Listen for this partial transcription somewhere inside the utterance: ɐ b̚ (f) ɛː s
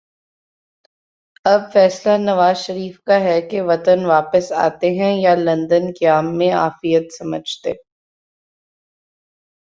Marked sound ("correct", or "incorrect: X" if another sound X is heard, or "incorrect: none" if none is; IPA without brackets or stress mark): correct